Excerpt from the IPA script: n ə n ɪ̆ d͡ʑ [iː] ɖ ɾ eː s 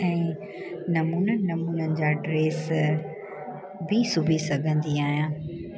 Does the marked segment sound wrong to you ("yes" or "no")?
yes